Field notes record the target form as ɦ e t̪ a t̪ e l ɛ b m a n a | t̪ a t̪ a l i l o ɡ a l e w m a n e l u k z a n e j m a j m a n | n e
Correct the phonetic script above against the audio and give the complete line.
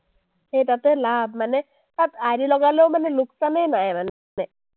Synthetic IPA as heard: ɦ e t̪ a t̪ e l a b m a n e | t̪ a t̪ a ɾ i l ɔ ɡ a l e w m a n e l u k s a n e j n a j m a n | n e